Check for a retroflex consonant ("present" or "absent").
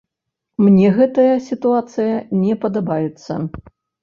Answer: absent